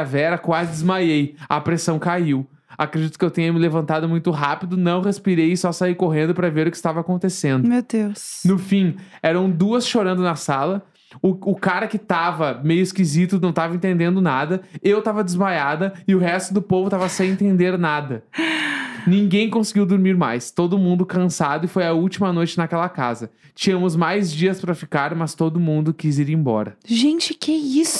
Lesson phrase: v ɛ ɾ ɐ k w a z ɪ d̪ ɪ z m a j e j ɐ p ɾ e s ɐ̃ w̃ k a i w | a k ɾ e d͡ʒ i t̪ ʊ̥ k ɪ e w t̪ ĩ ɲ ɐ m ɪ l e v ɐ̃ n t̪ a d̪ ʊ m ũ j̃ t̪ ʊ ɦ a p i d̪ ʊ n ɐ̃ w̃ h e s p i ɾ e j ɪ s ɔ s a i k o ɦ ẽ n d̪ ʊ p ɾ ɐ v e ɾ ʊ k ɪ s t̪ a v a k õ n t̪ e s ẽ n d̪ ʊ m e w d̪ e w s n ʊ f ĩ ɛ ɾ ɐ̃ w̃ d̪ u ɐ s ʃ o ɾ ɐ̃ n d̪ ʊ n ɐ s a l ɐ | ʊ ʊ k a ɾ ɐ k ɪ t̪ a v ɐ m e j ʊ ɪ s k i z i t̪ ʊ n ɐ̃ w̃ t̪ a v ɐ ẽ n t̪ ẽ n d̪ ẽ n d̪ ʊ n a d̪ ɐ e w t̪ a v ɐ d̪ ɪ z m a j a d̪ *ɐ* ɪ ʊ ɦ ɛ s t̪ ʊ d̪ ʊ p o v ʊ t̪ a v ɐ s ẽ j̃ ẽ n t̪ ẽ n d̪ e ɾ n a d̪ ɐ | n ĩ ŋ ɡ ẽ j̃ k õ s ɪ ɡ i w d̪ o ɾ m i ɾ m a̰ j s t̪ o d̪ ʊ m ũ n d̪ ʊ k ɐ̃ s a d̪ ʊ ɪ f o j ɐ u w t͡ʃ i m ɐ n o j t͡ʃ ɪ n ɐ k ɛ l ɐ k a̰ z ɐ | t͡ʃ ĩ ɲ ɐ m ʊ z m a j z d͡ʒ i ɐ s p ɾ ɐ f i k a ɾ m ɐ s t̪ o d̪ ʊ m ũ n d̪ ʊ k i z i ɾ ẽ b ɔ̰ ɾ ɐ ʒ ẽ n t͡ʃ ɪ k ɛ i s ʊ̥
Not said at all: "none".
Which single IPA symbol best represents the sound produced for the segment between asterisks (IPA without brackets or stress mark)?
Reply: ɐ